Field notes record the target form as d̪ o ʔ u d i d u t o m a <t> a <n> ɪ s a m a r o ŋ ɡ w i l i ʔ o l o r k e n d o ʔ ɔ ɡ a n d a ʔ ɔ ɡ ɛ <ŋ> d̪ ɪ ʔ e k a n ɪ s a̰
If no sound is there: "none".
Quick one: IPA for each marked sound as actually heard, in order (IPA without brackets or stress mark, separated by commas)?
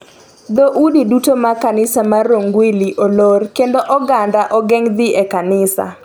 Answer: k, n, ŋ